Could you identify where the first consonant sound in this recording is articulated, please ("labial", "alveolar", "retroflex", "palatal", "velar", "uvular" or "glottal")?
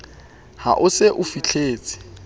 glottal